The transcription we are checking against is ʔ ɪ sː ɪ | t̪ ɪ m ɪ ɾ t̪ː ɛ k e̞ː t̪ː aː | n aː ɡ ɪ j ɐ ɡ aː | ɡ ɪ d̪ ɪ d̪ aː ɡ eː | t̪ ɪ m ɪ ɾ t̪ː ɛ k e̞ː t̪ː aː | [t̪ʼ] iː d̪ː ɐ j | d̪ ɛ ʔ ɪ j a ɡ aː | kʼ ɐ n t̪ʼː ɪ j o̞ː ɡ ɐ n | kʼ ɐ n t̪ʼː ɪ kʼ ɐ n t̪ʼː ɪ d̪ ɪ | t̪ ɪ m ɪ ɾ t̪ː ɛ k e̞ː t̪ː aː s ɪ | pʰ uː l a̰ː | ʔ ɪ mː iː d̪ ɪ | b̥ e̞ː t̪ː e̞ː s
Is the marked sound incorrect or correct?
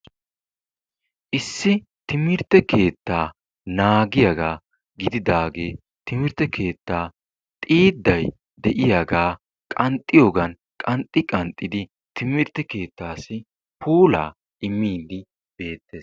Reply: correct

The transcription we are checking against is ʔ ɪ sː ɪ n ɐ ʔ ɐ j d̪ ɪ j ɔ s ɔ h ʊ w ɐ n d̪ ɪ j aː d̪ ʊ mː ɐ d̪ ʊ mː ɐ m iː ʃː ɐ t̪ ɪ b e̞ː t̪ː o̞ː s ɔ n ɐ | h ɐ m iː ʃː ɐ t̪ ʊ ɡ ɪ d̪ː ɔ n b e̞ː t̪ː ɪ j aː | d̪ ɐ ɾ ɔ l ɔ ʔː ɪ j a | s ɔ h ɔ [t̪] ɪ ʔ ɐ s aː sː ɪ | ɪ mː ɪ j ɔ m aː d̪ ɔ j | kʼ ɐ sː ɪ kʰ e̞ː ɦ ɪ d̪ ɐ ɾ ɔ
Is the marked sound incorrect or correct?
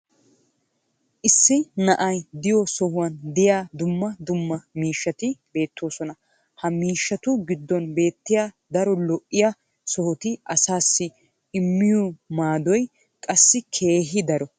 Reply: correct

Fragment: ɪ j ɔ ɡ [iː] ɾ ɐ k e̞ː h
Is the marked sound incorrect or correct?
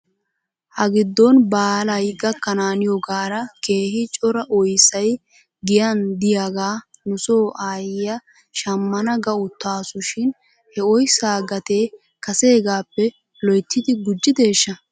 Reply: incorrect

